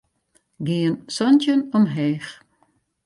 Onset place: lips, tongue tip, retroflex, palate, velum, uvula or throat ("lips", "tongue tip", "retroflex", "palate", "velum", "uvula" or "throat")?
velum